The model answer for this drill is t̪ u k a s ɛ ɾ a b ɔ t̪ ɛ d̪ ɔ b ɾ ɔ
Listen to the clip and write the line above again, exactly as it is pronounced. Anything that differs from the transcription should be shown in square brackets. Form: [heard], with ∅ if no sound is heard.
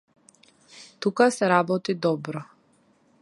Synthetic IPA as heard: t̪ u k a s ɛ ɾ a b ɔ t̪ [i] d̪ ɔ b ɾ ɔ